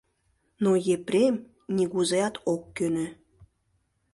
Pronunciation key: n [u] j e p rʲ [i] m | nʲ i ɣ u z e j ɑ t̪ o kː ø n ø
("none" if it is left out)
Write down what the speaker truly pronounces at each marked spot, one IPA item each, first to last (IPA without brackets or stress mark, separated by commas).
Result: o, e